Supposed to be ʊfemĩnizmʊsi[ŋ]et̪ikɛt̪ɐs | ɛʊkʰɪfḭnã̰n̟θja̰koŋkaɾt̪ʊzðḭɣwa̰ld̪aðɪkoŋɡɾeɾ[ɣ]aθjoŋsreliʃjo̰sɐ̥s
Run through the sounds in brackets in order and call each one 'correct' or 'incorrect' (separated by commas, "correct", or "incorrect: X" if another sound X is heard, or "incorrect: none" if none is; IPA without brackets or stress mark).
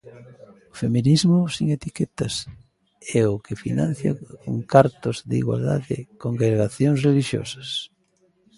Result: correct, correct